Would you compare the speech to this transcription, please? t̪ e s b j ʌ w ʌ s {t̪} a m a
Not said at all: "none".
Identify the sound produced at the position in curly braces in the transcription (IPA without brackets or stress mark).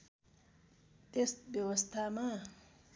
t̪ʰ